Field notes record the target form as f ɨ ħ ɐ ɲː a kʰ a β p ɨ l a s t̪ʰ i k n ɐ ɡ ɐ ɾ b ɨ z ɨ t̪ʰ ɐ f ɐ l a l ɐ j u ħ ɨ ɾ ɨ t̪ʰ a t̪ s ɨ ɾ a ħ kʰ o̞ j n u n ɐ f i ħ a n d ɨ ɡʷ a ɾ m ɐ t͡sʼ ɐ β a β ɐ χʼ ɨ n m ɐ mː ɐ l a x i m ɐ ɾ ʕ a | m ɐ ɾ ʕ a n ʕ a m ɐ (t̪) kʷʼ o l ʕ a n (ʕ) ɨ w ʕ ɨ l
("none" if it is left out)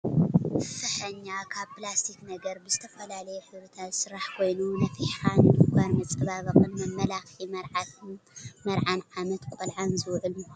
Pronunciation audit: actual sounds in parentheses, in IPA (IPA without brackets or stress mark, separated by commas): t̪, z